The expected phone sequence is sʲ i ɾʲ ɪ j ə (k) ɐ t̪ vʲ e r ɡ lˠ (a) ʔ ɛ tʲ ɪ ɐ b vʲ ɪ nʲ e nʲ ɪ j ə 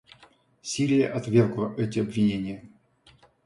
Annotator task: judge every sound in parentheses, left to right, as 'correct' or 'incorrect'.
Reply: incorrect, incorrect

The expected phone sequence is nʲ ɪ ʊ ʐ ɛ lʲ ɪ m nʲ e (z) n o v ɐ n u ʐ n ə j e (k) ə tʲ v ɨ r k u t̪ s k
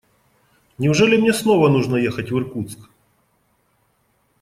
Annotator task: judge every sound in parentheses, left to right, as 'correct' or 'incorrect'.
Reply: incorrect, incorrect

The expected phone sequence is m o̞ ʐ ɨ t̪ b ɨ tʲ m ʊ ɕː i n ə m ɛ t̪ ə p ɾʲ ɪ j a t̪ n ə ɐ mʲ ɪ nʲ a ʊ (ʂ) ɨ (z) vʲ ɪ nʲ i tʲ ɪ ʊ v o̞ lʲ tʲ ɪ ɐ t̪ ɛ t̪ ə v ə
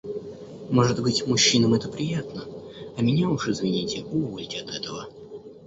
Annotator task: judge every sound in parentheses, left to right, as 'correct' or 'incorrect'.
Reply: correct, correct

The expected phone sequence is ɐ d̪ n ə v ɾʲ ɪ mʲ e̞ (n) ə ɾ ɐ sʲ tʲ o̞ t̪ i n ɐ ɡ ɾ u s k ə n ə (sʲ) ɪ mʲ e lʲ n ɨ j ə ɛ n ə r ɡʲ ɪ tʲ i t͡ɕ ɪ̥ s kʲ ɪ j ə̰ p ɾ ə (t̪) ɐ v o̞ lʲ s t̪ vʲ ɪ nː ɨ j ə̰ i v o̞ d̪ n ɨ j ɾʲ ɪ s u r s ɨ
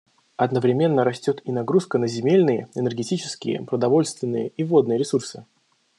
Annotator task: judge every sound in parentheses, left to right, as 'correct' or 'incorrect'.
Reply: incorrect, incorrect, incorrect

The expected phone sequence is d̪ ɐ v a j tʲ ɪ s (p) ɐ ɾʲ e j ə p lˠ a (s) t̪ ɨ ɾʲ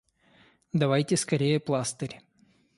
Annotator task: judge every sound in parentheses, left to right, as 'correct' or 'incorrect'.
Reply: incorrect, correct

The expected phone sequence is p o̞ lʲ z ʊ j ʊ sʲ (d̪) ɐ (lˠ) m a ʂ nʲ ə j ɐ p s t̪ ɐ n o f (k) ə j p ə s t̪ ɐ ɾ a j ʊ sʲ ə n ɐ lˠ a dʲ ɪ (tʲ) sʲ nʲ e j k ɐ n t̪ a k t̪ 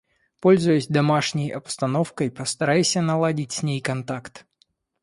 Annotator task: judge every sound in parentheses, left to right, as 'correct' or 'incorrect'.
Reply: correct, incorrect, correct, correct

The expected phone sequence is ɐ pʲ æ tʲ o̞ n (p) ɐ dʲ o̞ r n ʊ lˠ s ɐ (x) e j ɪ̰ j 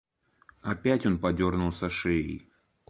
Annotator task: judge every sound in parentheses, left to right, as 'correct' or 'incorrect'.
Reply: correct, incorrect

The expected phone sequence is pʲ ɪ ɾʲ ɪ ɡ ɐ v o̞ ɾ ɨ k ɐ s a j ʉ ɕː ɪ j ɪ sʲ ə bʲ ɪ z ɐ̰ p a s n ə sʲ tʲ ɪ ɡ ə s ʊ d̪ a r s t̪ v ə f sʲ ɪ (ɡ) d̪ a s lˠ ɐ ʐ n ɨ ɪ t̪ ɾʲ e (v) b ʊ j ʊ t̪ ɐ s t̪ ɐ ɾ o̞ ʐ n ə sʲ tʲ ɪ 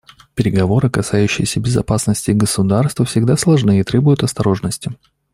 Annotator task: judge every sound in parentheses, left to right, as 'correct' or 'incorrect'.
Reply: correct, incorrect

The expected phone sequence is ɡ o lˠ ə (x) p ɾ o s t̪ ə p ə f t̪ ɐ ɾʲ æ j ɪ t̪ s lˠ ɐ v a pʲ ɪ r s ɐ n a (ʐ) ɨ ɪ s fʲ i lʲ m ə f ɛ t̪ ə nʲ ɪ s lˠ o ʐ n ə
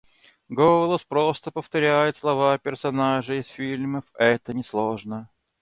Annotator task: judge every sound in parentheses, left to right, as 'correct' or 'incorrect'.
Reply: incorrect, correct

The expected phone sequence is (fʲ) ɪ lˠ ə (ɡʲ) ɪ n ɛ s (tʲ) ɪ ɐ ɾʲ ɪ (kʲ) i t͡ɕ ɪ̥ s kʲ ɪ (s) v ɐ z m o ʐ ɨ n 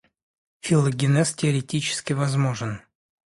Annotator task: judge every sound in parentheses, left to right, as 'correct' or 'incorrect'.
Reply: correct, correct, correct, incorrect, incorrect

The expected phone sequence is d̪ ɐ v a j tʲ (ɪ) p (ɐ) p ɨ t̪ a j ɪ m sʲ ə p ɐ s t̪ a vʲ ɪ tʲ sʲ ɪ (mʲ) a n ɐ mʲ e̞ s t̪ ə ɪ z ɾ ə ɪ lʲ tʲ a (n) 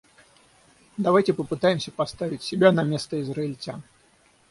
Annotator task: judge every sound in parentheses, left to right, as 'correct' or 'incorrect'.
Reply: correct, incorrect, incorrect, correct

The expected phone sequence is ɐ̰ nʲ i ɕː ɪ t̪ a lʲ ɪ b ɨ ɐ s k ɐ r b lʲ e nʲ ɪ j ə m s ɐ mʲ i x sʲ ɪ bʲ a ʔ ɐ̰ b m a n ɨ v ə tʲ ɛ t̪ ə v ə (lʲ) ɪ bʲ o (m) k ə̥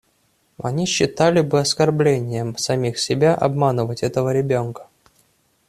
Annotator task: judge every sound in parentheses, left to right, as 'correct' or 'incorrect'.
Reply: incorrect, incorrect

